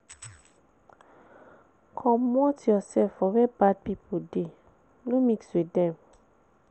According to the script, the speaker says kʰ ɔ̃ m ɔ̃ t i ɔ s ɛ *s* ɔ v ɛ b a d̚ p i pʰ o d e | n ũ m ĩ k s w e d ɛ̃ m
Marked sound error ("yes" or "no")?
yes